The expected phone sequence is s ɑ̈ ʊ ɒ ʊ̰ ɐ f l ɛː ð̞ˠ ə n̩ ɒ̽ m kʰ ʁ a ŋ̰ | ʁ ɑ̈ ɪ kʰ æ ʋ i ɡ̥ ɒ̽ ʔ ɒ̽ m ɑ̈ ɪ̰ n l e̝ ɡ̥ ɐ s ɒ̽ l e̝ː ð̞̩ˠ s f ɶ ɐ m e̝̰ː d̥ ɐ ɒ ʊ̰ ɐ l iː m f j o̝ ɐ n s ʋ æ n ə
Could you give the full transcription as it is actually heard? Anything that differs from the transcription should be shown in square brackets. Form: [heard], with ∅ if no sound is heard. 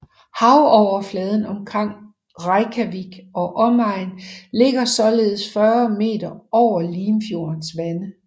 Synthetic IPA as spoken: [h] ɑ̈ ʊ ɒ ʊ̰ ɐ f l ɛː ð̞ˠ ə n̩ ɒ̽ m kʰ ʁ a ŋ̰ | ʁ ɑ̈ ɪ kʰ æ ʋ i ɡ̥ ɒ̽ ʔ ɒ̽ m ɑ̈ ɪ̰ n l e̝ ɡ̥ ɐ s ɒ̽ l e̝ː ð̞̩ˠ s f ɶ ɐ m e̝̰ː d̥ ɐ ɒ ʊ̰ ɐ l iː m f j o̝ ɐ n s ʋ æ n ə